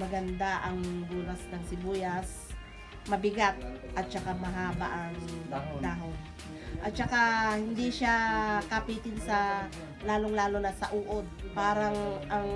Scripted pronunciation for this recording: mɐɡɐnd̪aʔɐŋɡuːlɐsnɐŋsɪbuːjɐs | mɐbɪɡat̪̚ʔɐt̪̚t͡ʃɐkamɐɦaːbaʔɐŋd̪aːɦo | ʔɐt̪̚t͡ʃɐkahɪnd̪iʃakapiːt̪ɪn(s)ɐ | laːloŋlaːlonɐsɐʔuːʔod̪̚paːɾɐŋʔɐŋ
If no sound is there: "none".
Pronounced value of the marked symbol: s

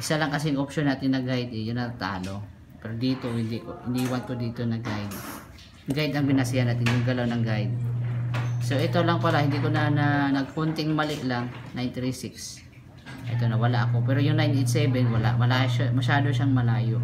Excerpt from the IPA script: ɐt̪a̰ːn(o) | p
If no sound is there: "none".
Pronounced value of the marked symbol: o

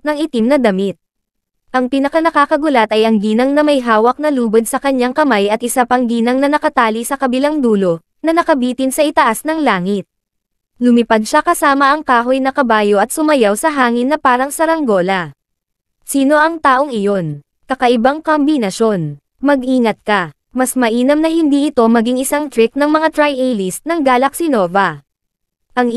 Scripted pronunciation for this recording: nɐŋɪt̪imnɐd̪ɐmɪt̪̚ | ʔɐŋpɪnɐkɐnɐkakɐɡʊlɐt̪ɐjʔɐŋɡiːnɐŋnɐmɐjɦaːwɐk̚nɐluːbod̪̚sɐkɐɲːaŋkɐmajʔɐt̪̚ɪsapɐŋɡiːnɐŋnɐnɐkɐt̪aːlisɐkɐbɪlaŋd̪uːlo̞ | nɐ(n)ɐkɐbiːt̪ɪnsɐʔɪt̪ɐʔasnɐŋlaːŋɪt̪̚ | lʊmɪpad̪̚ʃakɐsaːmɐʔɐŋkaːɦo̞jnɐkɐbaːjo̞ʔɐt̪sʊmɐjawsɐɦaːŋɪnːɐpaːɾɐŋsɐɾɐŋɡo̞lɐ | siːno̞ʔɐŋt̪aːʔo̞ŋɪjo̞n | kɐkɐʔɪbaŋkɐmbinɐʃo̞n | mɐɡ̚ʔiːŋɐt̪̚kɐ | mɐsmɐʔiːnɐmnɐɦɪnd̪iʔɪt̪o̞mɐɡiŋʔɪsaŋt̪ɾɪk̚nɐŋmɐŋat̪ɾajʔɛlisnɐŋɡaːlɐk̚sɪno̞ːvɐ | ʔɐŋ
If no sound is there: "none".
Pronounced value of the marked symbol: n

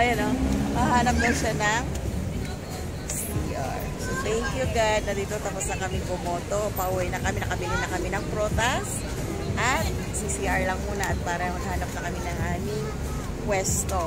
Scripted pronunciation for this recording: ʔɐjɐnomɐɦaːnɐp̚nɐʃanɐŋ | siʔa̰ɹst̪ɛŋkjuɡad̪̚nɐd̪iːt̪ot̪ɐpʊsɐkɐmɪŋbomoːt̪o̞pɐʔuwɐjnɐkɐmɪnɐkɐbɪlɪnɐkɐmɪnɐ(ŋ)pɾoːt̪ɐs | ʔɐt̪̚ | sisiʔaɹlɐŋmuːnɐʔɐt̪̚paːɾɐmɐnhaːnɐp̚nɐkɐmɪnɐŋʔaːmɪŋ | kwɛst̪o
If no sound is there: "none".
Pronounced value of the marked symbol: ŋ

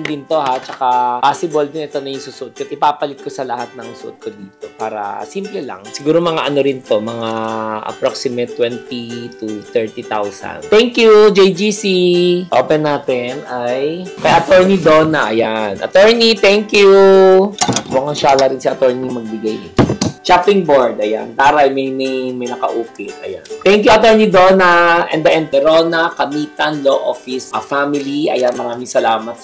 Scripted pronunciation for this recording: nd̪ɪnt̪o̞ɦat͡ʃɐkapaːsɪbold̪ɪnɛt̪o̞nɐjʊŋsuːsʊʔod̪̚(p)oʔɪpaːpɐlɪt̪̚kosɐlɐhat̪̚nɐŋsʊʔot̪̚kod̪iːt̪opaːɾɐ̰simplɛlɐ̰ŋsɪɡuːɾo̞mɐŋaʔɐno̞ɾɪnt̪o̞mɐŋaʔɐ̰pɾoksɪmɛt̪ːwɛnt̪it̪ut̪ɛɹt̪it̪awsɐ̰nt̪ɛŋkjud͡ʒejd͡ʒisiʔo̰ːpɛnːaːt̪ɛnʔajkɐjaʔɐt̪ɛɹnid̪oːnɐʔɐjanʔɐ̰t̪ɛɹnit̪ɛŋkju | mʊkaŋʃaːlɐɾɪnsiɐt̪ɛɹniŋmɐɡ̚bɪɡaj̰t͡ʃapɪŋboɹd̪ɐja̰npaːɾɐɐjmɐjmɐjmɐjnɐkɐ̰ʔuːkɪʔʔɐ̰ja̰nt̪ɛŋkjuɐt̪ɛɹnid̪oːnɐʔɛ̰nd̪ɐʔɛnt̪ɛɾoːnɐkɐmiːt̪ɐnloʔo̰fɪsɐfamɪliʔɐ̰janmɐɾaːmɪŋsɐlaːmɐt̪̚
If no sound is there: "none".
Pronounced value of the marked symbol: k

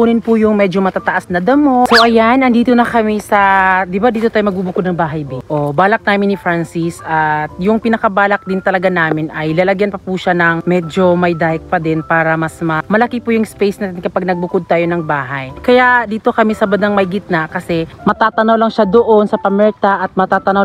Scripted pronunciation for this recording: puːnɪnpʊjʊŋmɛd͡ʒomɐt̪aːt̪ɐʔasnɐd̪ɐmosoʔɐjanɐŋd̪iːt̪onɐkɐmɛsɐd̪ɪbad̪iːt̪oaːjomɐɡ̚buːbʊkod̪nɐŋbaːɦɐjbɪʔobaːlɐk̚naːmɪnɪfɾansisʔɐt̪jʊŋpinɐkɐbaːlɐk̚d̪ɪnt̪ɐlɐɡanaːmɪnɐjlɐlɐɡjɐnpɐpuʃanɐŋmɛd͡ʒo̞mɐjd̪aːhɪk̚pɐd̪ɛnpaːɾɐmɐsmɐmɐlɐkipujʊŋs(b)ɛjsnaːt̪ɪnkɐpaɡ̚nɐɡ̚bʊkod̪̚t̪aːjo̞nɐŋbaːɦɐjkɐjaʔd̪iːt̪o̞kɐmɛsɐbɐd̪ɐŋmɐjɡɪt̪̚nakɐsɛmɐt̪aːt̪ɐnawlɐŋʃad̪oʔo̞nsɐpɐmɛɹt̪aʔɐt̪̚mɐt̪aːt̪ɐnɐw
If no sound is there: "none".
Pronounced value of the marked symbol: p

